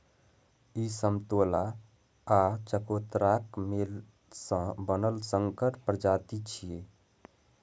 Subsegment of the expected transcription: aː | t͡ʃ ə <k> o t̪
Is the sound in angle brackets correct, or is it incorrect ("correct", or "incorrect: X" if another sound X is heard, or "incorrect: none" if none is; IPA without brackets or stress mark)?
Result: correct